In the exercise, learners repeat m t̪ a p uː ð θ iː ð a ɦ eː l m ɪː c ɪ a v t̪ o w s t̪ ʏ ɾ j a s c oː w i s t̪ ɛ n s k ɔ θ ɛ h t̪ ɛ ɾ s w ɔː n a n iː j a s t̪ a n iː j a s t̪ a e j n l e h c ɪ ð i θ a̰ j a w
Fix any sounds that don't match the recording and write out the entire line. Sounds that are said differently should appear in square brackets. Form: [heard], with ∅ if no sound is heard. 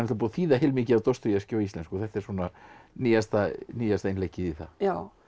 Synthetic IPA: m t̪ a p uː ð θ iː ð a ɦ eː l m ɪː c ɪ a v t̪ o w s t̪ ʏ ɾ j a s c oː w i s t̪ ɛ n s k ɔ θ ɛ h t̪ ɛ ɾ s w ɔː n a n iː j a s t̪ a n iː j a s t̪ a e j n l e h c ɪ ð i θ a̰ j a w